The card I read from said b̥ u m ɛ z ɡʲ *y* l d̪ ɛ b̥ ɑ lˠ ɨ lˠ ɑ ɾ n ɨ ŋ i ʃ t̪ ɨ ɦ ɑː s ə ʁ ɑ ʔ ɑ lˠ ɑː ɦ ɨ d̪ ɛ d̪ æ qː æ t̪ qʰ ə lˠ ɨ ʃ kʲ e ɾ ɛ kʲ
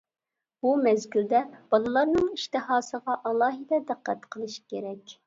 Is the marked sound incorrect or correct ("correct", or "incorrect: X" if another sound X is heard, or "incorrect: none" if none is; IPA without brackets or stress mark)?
correct